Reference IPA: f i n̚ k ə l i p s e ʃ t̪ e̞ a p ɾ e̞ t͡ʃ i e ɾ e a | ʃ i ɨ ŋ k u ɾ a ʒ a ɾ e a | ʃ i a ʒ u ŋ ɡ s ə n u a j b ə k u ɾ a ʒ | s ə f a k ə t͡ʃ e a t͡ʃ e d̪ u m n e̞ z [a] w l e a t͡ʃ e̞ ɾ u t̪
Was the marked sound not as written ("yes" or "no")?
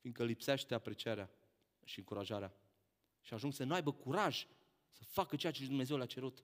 yes